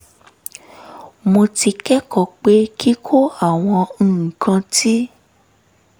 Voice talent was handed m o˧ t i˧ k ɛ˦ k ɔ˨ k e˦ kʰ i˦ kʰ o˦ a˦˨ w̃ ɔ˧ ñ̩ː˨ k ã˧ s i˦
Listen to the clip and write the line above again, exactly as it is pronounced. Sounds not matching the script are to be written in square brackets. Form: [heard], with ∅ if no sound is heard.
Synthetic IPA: m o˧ t i˧ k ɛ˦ k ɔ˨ [k͡p] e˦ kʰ i˦ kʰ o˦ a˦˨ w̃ [ɔ̃˧] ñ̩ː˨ k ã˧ [t] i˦